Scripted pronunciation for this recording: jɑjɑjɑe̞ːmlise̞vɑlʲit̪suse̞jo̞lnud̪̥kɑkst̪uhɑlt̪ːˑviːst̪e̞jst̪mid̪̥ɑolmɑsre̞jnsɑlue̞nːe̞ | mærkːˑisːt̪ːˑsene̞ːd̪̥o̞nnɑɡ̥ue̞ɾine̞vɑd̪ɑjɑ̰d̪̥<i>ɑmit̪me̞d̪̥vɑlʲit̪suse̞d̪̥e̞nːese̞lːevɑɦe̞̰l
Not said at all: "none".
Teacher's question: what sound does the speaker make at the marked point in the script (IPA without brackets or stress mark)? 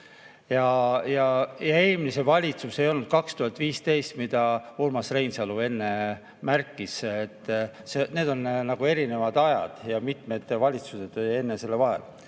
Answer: j